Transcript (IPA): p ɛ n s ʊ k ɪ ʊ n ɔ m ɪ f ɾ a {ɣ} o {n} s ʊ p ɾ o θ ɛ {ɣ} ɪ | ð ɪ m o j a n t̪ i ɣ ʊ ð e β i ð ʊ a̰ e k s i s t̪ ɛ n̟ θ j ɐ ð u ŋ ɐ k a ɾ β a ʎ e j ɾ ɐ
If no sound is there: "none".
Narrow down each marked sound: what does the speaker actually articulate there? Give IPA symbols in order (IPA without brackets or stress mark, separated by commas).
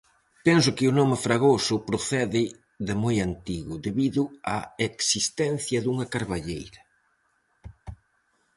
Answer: ɣ, none, ð